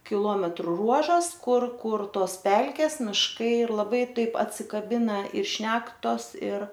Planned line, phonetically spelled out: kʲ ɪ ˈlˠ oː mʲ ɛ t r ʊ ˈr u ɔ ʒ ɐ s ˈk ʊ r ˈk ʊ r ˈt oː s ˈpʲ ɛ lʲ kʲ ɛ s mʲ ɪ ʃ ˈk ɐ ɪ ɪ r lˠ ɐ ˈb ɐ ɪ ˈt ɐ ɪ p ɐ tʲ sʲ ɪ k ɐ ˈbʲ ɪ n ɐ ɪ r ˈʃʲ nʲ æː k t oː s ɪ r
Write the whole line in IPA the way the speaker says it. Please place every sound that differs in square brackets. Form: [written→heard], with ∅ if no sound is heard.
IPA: kʲ ɪ ˈlˠ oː mʲ ɛ t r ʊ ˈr u ɔ ʒ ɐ s ˈk ʊ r ˈk ʊ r ˈt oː s ˈpʲ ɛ lʲ kʲ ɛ s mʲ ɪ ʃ ˈk ɐ ɪ ɪ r lˠ ɐ ˈb ɐ ɪ ˈt ɐ ɪ p ɐ tʲ sʲ ɪ k ɐ ˈbʲ ɪ n ɐ ɪ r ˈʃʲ nʲ æː k t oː s ɪ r